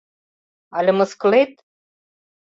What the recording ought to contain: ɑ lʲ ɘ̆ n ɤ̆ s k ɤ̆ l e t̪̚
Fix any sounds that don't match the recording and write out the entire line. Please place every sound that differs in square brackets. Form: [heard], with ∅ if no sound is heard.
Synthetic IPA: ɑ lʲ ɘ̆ [m] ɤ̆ s k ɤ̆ l e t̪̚